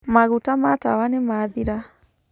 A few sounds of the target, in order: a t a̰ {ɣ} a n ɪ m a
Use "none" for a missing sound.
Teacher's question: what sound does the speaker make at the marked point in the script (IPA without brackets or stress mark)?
w